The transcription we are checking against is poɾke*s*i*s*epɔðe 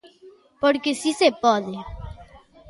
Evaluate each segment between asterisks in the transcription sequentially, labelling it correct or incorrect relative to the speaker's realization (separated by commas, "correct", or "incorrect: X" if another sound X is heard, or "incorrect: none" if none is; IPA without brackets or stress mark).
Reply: correct, correct